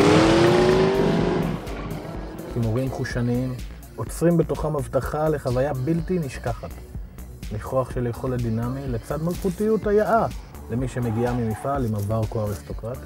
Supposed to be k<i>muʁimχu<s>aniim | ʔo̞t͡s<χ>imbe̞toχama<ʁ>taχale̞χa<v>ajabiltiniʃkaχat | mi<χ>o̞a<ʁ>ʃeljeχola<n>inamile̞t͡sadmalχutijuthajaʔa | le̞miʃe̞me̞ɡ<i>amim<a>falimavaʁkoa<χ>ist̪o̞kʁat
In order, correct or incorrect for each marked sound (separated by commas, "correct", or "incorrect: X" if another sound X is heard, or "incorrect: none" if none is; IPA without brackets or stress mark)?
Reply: correct, incorrect: ʃ, incorrect: ʁ, incorrect: v, correct, correct, incorrect: χ, incorrect: d, correct, incorrect: i, incorrect: ʁ